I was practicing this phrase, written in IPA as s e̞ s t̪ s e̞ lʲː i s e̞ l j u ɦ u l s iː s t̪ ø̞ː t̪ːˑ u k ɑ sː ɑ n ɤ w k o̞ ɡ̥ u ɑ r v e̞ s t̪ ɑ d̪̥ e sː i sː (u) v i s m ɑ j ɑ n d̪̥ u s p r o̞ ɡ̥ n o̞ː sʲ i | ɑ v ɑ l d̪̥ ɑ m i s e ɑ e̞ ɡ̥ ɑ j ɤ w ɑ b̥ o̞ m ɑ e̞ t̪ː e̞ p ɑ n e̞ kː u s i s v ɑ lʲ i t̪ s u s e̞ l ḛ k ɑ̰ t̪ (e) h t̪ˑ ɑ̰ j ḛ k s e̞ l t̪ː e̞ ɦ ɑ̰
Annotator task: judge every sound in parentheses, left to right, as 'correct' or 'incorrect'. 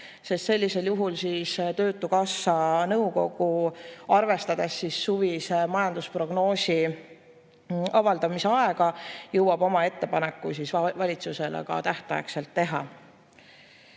correct, incorrect: æ

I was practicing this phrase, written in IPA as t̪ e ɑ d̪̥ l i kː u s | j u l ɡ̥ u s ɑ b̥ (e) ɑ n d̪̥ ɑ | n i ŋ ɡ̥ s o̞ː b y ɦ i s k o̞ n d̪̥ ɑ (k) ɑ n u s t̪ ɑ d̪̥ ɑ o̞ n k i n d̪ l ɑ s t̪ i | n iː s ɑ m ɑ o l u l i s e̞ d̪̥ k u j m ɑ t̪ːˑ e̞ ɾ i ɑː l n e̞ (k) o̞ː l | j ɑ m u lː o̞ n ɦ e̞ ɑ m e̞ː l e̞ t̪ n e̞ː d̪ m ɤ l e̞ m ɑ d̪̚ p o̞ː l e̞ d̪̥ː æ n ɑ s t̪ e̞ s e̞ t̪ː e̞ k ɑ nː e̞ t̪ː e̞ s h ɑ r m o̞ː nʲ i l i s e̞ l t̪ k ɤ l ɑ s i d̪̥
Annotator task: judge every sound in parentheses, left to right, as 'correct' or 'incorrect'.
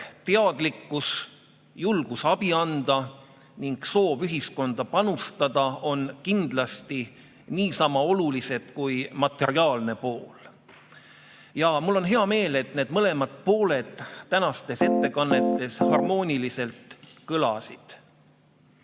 incorrect: i, incorrect: p, incorrect: p

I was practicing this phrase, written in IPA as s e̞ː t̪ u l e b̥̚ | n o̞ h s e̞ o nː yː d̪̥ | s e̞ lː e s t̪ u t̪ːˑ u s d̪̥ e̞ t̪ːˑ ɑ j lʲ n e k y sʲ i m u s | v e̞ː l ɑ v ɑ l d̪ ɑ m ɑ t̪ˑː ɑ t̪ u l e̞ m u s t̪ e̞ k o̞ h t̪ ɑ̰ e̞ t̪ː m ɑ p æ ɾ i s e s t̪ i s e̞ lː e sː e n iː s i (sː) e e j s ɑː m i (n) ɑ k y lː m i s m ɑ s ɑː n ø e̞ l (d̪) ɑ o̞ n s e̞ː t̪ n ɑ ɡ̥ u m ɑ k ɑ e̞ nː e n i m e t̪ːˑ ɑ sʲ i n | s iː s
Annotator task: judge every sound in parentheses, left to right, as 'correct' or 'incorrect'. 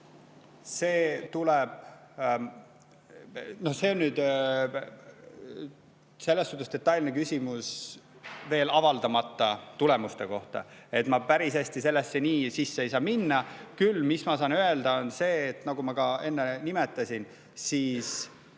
correct, incorrect: nː, correct

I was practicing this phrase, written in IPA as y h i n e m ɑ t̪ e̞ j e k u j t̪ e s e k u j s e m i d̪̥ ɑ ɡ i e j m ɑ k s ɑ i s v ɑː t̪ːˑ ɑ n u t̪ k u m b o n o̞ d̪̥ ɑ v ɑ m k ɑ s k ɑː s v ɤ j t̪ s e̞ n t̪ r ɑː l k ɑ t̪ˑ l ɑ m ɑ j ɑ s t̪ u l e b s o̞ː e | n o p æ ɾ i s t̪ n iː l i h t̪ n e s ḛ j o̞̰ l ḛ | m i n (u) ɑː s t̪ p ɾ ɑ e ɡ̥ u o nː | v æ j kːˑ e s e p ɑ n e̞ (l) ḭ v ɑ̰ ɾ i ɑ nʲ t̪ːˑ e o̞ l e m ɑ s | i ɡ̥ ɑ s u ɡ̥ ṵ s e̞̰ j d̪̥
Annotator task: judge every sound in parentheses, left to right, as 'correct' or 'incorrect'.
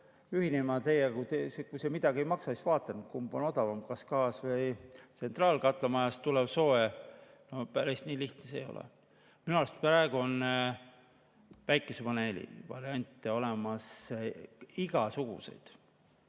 correct, correct

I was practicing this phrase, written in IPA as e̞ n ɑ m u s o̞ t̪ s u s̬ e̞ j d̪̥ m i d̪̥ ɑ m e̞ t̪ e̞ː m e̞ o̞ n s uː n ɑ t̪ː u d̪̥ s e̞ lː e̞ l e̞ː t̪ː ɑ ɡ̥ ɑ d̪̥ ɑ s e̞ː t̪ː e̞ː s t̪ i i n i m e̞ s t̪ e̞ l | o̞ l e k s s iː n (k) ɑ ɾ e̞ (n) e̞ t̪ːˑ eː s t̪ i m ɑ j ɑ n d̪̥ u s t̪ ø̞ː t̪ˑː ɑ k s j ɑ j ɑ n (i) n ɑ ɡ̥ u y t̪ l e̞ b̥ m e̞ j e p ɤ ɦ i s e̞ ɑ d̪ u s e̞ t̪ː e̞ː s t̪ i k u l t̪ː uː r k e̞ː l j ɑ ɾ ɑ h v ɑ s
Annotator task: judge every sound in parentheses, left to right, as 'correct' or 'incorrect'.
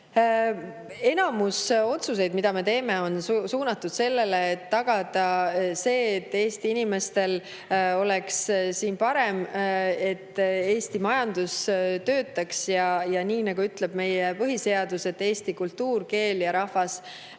incorrect: p, incorrect: m, incorrect: iː

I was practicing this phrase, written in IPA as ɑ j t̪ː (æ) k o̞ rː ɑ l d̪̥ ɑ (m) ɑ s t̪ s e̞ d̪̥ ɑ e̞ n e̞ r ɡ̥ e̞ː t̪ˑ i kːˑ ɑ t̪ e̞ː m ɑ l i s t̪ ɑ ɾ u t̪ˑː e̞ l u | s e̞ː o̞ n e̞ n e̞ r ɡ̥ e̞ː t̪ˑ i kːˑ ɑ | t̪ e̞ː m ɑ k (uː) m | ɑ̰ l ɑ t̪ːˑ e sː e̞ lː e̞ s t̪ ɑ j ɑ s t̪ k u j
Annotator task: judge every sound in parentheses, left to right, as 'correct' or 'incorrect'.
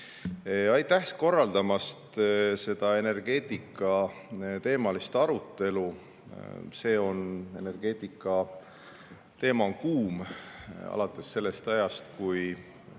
correct, correct, correct

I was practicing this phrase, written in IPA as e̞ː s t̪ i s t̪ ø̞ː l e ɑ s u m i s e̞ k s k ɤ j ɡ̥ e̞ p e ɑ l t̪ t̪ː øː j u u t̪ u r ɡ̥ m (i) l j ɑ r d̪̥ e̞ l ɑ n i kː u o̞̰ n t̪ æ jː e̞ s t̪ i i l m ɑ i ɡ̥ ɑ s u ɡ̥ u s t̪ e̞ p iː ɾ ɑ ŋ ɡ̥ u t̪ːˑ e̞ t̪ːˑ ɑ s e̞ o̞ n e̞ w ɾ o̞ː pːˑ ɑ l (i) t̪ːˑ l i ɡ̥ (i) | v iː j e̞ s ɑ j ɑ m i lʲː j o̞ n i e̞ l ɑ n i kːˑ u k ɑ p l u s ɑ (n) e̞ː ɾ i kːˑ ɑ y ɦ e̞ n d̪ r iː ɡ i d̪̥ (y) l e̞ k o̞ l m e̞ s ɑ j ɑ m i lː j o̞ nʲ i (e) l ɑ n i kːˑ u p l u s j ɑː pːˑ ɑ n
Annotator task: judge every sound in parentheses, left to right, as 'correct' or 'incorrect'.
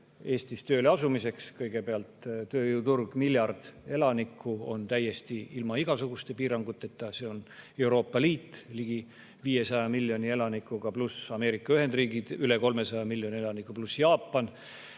correct, incorrect: iː, correct, incorrect: m, correct, correct

